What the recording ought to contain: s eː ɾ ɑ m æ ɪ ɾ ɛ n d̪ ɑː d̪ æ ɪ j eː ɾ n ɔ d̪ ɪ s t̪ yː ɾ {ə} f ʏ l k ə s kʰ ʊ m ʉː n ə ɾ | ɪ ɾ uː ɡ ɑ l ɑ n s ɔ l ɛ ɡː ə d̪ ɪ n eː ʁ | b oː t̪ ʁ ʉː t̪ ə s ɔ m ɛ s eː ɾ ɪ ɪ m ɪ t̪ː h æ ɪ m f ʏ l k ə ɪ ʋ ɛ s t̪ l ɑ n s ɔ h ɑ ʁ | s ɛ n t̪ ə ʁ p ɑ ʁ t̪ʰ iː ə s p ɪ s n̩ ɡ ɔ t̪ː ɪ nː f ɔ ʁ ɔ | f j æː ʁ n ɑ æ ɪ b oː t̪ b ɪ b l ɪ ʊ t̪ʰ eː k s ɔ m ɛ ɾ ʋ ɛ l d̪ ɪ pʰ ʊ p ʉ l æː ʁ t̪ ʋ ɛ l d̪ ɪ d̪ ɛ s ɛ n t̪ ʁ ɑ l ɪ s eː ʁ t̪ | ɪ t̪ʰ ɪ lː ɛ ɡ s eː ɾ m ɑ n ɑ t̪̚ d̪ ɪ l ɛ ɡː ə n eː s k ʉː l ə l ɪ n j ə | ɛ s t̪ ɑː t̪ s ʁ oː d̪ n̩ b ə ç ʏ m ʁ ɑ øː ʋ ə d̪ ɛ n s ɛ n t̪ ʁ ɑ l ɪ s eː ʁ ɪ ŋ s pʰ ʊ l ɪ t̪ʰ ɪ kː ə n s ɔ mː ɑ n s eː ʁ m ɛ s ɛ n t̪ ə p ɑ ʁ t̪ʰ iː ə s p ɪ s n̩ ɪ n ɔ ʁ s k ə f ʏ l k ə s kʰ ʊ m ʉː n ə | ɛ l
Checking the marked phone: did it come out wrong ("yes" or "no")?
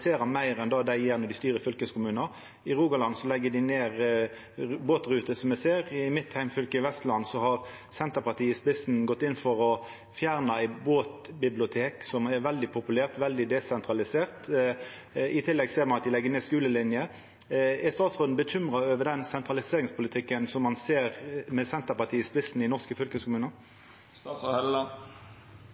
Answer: no